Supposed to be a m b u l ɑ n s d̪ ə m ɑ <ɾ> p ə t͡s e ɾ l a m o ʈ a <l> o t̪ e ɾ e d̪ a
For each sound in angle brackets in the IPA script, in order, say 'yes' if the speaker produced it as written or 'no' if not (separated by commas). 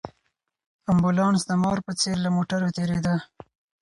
yes, no